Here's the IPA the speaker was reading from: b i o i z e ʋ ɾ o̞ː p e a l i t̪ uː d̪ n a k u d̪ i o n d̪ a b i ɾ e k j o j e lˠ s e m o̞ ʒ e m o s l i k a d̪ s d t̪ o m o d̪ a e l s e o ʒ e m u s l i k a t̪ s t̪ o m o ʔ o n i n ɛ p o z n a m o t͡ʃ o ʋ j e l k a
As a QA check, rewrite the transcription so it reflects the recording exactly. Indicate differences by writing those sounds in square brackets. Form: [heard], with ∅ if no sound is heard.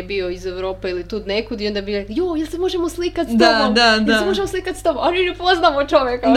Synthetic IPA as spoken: b i o i z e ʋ ɾ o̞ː p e [i] l i t̪ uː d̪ n [e] k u d̪ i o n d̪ a b i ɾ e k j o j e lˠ s e m o̞ ʒ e m o s l i k a [t̪] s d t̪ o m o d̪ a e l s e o ʒ e m [o] s l i k a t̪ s t̪ o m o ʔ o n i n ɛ p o z n a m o t͡ʃ o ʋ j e [∅] k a